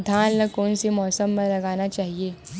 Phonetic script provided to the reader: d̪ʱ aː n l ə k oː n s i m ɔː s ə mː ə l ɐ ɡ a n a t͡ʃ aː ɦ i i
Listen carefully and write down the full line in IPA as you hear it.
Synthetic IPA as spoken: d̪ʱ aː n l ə k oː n s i m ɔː s ə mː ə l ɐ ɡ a n a t͡ʃ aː ɦ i e